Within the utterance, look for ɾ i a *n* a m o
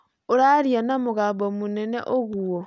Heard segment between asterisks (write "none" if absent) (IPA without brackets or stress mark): n